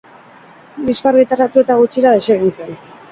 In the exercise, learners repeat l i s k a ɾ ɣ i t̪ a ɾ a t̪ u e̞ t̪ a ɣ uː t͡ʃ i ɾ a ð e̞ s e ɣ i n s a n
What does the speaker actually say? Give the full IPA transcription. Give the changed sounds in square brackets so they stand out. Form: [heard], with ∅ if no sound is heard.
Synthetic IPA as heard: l i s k a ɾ ɣ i t̪ a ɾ a t̪ u e̞ t̪ a ɣ [u] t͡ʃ i ɾ a ð e̞ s e ɣ i n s [e] n